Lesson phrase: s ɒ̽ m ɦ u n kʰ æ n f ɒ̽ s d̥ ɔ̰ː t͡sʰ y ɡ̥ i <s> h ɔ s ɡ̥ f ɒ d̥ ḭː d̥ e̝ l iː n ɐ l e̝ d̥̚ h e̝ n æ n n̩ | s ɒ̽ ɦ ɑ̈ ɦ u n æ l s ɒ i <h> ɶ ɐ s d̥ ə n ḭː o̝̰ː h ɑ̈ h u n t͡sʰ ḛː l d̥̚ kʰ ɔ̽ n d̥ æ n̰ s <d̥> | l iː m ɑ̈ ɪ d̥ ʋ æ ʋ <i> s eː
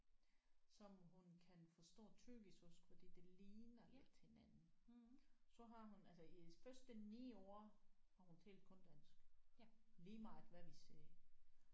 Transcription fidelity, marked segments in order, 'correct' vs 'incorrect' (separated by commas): correct, incorrect, incorrect, correct